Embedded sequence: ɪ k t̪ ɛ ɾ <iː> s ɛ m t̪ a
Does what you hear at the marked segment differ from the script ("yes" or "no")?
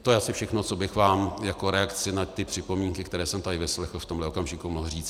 yes